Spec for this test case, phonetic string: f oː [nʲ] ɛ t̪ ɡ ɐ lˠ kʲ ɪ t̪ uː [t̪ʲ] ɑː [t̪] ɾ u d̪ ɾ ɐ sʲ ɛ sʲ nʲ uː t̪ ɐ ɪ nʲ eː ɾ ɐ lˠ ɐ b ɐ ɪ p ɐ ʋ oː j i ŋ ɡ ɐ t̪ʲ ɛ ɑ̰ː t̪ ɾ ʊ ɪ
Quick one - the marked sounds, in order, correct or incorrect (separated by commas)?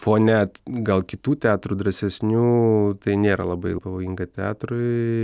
correct, correct, correct